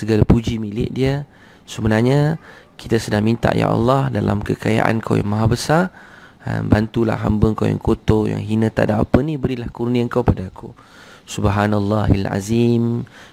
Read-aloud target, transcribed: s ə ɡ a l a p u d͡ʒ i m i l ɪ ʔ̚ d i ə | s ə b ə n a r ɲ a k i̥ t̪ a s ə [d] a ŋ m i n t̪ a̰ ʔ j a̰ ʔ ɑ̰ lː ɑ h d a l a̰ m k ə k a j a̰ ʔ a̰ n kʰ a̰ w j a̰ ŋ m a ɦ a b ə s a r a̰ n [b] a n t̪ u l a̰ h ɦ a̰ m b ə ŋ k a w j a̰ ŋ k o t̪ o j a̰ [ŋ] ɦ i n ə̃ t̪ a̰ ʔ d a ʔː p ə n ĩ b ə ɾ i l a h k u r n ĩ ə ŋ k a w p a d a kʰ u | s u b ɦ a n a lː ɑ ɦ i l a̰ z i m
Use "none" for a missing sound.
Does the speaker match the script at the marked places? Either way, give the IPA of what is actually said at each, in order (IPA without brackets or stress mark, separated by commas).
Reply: d, b, ŋ